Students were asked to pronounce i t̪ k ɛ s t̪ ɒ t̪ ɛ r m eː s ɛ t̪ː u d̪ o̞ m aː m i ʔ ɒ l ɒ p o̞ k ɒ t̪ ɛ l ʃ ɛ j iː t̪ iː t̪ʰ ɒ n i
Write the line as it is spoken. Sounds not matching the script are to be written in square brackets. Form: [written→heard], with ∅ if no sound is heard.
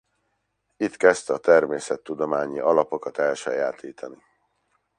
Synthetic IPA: i t̪ k ɛ s t̪ ɒ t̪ ɛ r m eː s ɛ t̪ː u d̪ o̞ m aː [m→ɲ] i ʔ ɒ l ɒ p o̞ k ɒ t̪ ɛ l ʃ ɛ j [iː→aː] t̪ iː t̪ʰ ɒ n i